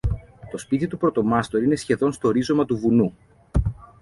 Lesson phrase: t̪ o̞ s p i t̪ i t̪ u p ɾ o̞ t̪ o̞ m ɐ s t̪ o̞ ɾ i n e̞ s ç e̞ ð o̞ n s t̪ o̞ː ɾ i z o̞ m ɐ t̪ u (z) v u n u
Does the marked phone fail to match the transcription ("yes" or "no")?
yes